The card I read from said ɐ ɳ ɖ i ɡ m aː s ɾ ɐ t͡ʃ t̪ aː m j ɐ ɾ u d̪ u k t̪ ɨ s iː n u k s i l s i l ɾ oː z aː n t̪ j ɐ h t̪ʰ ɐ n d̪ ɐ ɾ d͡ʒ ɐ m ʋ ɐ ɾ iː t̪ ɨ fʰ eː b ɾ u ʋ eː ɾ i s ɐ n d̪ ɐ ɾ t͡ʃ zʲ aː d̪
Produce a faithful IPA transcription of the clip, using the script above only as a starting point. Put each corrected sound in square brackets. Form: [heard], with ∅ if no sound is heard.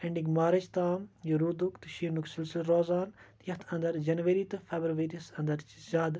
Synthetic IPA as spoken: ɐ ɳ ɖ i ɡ m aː [∅] ɾ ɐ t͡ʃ t̪ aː m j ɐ ɾ u d̪ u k t̪ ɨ [ʃ] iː n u k s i l s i l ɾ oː z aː n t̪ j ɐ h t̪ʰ ɐ n d̪ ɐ ɾ d͡ʒ ɐ [n] ʋ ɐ ɾ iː t̪ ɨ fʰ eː b ɾ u ʋ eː ɾ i s ɐ n d̪ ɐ ɾ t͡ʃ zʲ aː d̪